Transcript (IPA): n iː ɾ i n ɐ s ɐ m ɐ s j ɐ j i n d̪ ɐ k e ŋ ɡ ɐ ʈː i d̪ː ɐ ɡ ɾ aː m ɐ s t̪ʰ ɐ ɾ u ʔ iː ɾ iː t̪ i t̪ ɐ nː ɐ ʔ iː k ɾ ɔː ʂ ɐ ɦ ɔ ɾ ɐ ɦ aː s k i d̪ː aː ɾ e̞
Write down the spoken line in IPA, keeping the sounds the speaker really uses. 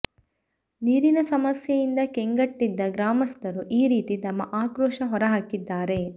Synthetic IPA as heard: n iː ɾ i n ɐ s ɐ m ɐ s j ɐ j i n d̪ ɐ k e ŋ ɡ ɐ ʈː i d̪ː ɐ ɡ ɾ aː m ɐ s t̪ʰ ɐ ɾ u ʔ iː ɾ iː t̪ i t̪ ɐ mː ɐ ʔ aː k ɾ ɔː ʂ ɐ ɦ ɔ ɾ ɐ ɦ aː k i d̪ː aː ɾ e̞